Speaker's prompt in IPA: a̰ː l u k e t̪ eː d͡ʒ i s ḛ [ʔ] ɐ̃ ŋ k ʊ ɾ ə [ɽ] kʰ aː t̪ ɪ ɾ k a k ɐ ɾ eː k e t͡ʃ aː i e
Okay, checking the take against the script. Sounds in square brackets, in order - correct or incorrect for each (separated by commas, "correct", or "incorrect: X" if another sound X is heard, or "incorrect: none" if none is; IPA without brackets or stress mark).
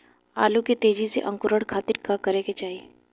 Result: correct, correct